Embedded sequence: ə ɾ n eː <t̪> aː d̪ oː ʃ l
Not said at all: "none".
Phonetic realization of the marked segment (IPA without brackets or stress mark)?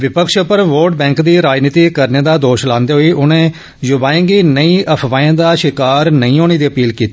d̪